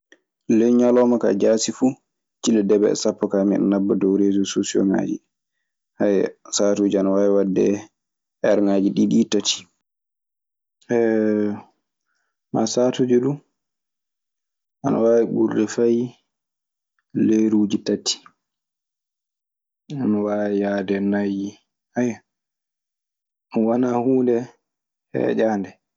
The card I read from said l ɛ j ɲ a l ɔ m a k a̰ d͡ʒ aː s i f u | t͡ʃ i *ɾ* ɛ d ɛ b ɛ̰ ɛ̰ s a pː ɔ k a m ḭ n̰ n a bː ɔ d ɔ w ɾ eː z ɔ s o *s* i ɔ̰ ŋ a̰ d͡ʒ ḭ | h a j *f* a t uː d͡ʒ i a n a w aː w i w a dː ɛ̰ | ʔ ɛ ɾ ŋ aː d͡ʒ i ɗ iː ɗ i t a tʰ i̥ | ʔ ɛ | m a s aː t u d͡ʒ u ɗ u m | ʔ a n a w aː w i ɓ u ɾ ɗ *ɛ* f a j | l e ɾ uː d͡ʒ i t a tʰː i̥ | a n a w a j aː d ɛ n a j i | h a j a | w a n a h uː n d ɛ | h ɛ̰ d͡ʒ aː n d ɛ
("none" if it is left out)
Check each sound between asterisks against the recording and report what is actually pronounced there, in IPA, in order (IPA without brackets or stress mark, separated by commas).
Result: l, s, s, ɛ